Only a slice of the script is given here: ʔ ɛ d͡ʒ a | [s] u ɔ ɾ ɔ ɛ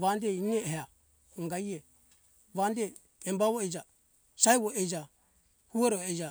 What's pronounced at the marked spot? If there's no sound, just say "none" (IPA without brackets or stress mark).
h